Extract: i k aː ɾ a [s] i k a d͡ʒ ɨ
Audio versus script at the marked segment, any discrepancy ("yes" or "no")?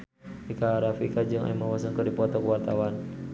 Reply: yes